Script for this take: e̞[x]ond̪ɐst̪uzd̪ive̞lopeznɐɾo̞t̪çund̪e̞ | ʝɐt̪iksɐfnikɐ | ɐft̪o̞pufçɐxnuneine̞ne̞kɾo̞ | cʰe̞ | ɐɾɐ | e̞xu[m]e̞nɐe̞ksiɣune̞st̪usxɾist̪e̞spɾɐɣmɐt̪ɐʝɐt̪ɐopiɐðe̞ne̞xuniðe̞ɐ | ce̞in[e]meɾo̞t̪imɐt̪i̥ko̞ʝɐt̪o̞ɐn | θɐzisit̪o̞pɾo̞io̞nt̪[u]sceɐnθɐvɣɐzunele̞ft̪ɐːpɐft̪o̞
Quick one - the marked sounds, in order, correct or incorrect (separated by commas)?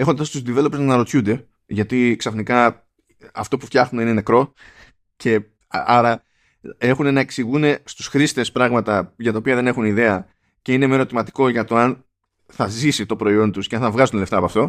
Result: correct, incorrect, correct, correct